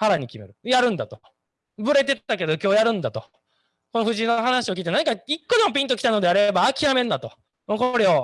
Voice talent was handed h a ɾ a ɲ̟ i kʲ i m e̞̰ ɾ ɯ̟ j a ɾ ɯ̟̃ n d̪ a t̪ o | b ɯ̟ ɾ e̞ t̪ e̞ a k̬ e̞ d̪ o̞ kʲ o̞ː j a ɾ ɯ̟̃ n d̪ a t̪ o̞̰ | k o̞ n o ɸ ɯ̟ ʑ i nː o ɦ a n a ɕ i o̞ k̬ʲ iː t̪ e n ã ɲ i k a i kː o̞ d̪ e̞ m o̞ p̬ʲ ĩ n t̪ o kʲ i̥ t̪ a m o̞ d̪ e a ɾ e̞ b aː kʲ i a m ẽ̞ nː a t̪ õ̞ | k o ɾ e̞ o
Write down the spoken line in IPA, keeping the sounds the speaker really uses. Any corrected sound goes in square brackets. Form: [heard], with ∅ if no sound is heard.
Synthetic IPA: h a ɾ a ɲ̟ i kʲ i m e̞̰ ɾ ɯ̟ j a ɾ ɯ̟̃ n d̪ a t̪ o | b ɯ̟ ɾ e̞ t̪ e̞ a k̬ e̞ d̪ o̞ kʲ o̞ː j a ɾ ɯ̟̃ n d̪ a t̪ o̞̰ | k o̞ n o ɸ ɯ̟ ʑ i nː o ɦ a n a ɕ i o̞ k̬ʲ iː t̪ e n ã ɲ i k a i kː o̞ d̪ e̞ m o̞ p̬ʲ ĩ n t̪ o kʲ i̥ t̪ a [n] o̞ d̪ e a ɾ e̞ b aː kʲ i a m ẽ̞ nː a t̪ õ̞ | k o ɾ e̞ o